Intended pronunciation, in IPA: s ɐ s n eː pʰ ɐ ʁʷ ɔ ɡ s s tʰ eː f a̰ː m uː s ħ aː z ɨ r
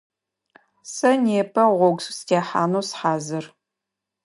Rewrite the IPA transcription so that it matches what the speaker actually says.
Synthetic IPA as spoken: s ɐ n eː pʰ ɐ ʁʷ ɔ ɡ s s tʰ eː ħ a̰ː n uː s ħ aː z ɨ r